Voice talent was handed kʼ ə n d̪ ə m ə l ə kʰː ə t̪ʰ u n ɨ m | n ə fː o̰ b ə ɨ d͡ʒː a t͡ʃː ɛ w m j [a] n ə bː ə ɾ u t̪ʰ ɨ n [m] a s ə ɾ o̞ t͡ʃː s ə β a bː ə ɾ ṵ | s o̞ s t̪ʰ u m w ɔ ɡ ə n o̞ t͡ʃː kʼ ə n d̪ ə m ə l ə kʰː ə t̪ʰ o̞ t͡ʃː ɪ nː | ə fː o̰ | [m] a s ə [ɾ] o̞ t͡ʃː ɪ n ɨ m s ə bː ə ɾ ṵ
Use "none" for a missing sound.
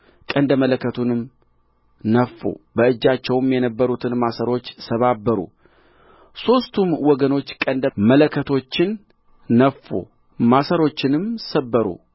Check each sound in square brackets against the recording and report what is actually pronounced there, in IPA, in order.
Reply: ɛ, m, m, ɾ

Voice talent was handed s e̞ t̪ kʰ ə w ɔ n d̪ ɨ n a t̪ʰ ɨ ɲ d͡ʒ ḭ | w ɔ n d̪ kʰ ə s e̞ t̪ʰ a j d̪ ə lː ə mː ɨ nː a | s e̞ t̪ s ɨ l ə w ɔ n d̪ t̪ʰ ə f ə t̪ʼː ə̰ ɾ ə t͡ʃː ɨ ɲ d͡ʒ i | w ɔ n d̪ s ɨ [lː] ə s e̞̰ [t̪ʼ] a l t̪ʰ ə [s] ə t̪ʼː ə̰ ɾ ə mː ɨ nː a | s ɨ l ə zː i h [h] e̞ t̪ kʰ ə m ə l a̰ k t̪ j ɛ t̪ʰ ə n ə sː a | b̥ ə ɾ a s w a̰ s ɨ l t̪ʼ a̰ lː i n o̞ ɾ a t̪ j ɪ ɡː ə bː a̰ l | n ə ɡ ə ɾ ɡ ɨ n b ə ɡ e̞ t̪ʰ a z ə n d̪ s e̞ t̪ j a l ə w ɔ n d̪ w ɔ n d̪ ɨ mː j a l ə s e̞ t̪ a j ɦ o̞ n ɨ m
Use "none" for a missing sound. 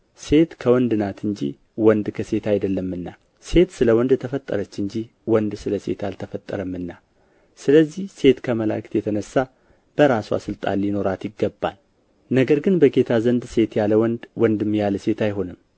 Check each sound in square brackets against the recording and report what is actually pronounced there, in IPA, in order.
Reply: l, t̪, f, s

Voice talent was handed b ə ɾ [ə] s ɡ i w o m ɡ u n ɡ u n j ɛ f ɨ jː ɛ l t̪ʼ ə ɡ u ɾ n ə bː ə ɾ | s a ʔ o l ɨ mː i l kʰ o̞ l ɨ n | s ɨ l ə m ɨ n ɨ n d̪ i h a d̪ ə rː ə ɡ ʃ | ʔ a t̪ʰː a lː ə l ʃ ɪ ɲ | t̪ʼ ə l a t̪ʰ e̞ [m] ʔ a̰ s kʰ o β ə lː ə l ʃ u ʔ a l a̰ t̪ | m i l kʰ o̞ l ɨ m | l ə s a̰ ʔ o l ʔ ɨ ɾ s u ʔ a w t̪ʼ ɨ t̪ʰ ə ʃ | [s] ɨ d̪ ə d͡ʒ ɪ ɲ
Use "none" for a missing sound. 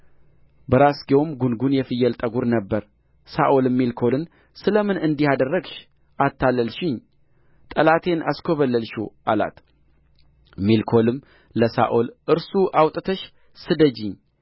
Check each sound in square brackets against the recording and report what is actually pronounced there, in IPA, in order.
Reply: a, n, s

